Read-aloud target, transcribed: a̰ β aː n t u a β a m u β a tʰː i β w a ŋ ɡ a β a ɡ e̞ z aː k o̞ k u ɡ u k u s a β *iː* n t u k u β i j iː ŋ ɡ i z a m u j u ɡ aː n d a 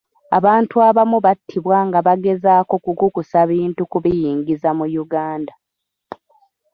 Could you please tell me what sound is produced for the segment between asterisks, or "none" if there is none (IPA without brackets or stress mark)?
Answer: iː